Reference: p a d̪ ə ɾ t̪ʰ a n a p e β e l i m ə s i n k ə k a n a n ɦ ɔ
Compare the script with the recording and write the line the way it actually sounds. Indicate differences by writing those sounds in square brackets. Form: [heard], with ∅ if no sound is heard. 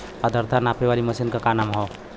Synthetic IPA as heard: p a d̪ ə ɾ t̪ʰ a n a p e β [a] l i m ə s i n k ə k a n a [m] ɦ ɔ